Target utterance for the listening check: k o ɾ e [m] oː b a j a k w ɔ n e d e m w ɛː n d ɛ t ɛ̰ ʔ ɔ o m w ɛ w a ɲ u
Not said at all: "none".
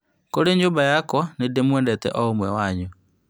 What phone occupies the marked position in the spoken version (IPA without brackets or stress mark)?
ɲ